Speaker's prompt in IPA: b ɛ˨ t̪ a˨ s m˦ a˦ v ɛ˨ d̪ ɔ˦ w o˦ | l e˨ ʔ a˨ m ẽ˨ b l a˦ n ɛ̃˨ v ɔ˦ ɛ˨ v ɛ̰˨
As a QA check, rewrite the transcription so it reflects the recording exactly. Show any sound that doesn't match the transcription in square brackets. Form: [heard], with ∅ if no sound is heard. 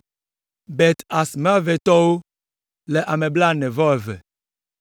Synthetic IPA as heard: b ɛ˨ t̪ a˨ s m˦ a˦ v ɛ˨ [t̪] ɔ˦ w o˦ | l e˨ ʔ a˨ m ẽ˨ b l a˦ n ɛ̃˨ v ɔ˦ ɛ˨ v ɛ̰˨